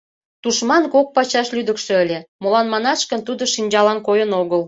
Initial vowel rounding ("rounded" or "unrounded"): rounded